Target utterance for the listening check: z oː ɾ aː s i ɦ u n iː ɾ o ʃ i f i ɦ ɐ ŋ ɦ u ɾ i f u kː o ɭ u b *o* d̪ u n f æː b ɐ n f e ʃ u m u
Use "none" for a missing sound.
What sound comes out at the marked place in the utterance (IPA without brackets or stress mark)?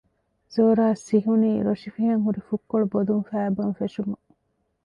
o